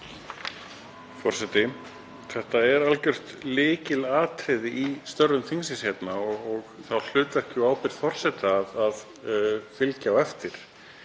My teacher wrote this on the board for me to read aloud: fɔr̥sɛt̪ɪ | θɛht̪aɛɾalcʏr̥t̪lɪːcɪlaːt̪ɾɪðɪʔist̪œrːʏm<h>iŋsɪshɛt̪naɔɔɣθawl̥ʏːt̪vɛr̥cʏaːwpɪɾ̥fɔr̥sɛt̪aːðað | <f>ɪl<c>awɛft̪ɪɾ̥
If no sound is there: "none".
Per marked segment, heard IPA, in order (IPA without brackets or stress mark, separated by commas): θ, f, c